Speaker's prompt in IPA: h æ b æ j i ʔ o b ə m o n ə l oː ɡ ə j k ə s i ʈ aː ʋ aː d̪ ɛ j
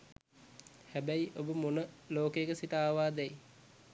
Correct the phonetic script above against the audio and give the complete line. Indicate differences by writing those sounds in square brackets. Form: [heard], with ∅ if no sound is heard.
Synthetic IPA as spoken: h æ b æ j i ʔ o b ə m o n ə l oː [k] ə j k ə s i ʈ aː ʋ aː d̪ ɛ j